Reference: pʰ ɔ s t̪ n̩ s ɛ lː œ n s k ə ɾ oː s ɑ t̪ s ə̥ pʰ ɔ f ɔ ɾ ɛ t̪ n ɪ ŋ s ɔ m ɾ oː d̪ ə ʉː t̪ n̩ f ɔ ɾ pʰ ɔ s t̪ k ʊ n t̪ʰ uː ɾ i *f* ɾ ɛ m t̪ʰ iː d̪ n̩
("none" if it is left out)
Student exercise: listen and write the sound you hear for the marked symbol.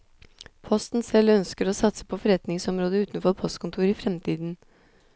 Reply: f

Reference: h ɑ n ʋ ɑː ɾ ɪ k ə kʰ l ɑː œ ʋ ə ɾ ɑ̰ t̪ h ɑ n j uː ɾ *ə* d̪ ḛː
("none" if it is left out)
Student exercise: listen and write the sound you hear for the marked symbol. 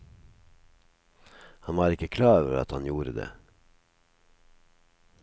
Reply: ə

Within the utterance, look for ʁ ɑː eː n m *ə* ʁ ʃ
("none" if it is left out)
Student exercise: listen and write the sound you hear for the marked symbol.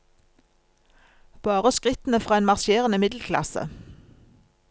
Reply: ɑ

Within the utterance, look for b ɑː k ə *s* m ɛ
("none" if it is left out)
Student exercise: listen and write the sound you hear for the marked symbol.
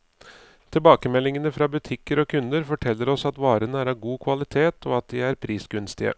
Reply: none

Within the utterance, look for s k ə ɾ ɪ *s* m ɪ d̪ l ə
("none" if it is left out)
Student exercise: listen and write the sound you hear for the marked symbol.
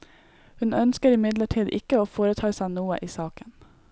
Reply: none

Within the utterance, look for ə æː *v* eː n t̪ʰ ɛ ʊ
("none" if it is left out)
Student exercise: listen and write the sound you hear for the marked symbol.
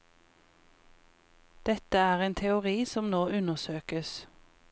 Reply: ʁ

